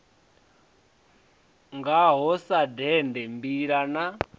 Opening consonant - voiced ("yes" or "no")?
yes